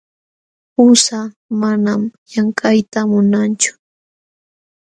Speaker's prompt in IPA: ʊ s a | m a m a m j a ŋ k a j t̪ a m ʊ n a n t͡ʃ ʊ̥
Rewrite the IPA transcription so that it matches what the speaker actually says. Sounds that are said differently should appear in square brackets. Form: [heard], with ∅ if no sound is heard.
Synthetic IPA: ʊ s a | m a [n] a m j a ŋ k a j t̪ a m ʊ n a n t͡ʃ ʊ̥